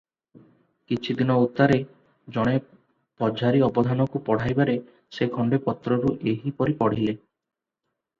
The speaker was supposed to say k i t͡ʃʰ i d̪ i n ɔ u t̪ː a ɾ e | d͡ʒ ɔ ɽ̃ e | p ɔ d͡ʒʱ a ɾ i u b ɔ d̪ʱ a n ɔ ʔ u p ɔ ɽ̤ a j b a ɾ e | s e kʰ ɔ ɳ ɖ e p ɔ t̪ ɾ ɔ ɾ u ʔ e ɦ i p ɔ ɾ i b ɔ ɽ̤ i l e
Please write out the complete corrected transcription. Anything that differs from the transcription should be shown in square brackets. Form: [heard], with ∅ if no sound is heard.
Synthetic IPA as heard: k i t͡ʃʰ i d̪ i n ɔ u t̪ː a ɾ e | d͡ʒ ɔ ɽ̃ e | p ɔ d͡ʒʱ a ɾ i [ɔ] b ɔ d̪ʱ a n ɔ [k] u p ɔ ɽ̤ a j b a ɾ e | s e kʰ ɔ ɳ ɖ e p ɔ t̪ ɾ ɔ ɾ u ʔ e ɦ i p ɔ ɾ i [p] ɔ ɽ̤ i l e

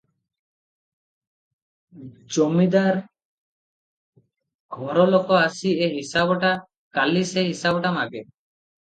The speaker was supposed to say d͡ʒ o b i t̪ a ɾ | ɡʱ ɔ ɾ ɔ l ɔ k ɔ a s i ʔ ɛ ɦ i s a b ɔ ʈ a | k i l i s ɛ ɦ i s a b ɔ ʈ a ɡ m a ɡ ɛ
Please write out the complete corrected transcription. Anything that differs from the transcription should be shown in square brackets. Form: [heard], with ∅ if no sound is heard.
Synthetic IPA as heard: d͡ʒ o [m] i [d̪] a ɾ | ɡʱ ɔ ɾ ɔ l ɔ k ɔ a s i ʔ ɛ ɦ i s a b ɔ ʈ a | k [a] l i s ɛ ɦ i s a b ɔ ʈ a [∅] m a ɡ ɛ

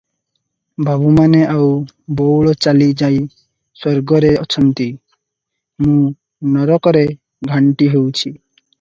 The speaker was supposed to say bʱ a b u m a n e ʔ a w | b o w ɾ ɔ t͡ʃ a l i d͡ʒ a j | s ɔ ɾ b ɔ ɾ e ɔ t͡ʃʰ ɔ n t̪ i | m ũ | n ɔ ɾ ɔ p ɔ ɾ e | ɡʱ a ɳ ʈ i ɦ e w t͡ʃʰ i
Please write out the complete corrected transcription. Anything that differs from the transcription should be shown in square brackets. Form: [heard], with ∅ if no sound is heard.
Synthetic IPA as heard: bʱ a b u m a n e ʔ a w | b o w [ɭ] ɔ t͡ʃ a l i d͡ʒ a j | s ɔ ɾ [ɡ] ɔ ɾ e ɔ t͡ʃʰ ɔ n t̪ i | m ũ | n ɔ ɾ ɔ [k] ɔ ɾ e | ɡʱ a ɳ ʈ i ɦ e w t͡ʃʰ i

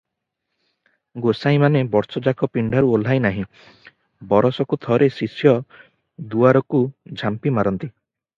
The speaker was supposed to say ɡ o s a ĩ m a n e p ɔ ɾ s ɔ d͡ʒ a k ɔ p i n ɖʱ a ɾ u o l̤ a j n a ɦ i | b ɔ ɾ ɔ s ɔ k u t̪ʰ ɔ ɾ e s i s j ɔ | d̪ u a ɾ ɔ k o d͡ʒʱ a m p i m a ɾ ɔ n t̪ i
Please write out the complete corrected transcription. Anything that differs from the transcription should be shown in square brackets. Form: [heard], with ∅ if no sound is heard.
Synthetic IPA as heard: ɡ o s a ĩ m a n e [b] ɔ ɾ s ɔ d͡ʒ a k ɔ p i [ɳ] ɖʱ a ɾ u o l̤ a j n a ɦ [ĩ] | b ɔ ɾ ɔ s ɔ k u t̪ʰ ɔ ɾ e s i s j ɔ | d̪ u a ɾ ɔ k [u] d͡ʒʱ a m p i m a ɾ ɔ n t̪ i

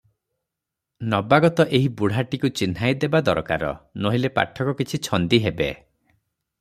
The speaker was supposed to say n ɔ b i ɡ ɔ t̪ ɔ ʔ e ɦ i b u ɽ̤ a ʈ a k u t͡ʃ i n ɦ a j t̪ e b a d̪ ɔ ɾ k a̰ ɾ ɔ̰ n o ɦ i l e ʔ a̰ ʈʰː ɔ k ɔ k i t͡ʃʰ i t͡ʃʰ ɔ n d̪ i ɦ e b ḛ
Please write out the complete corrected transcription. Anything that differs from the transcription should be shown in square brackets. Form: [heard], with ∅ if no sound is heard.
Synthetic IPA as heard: n ɔ b [a] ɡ ɔ t̪ ɔ ʔ e ɦ i b u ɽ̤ a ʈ [i] k u t͡ʃ i n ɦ a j [d̪] e b a d̪ ɔ ɾ k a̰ ɾ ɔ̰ n o ɦ i l e [p] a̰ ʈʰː ɔ k ɔ k i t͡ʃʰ i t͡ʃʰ ɔ n d̪ i ɦ e b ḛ

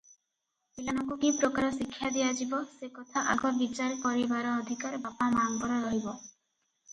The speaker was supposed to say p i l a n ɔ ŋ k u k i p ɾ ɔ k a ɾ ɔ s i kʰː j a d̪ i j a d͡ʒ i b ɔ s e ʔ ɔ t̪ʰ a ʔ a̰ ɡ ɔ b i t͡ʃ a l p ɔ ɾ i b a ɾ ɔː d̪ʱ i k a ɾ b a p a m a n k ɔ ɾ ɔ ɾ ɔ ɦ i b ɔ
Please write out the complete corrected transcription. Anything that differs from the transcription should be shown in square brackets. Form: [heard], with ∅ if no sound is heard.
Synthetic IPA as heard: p i l a n ɔ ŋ k u k i p ɾ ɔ k a ɾ ɔ s i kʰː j a d̪ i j a d͡ʒ i b ɔ s e [k] ɔ t̪ʰ a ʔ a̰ ɡ ɔ b i t͡ʃ a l p ɔ ɾ i b a ɾ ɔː d̪ʱ i k a ɾ b a p a m a [ŋ] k ɔ ɾ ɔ ɾ ɔ ɦ i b ɔ

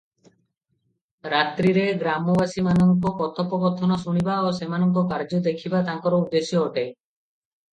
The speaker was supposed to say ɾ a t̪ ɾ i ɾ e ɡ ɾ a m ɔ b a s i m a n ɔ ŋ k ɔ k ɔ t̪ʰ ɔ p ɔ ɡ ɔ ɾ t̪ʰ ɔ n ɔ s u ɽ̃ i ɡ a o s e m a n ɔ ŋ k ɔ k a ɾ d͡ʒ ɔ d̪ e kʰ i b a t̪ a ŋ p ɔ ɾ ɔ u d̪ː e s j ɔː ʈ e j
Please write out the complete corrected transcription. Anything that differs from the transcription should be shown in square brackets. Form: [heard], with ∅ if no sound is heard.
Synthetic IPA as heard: ɾ a t̪ ɾ i ɾ e ɡ ɾ a m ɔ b a s i m a n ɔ ŋ k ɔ k ɔ t̪ʰ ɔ p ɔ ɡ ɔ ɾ t̪ʰ ɔ n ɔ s u ɽ̃ i [b] a o s e m a n ɔ ŋ k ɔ k a ɾ d͡ʒ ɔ d̪ e kʰ i b a t̪ a ŋ [k] ɔ ɾ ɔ u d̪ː e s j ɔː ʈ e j

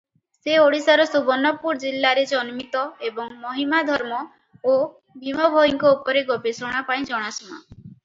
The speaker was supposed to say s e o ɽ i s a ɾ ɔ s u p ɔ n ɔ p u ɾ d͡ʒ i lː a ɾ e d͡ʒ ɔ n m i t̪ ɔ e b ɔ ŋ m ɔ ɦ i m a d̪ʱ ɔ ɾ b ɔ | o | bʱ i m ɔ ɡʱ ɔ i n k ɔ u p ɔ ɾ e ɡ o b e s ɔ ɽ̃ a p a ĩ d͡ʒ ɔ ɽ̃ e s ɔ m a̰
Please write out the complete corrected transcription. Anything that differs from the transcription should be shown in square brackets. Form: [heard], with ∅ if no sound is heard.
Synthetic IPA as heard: s e o ɽ i s a ɾ ɔ s u [b] ɔ n ɔ p u ɾ d͡ʒ i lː a ɾ e d͡ʒ ɔ n m i t̪ ɔ e b ɔ ŋ m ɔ ɦ i m a d̪ʱ ɔ ɾ [m] ɔ | o | bʱ i m ɔ [bʱ] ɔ i [ŋ] k ɔ u p ɔ ɾ e ɡ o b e s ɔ ɽ̃ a p a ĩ d͡ʒ ɔ ɽ̃ [a] s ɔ m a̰

